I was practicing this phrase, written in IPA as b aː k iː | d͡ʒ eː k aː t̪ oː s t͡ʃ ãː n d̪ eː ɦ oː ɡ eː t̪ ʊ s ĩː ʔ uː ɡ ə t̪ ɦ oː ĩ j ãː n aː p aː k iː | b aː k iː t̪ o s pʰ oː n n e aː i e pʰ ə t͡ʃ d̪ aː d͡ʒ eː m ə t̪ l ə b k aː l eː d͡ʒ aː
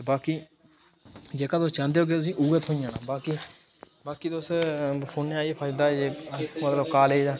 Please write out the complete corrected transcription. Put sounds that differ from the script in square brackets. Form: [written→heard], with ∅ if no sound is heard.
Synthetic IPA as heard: b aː k iː | d͡ʒ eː k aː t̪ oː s t͡ʃ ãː n d̪ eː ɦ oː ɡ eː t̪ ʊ s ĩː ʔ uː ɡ ə t̪ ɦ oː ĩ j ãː n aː [p→b] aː k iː | b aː k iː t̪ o s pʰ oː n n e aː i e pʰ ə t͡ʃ d̪ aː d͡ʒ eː m ə t̪ l ə b k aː l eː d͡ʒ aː